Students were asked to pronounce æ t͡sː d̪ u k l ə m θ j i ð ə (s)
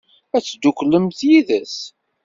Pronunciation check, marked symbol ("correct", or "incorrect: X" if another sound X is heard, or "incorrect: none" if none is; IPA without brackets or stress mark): correct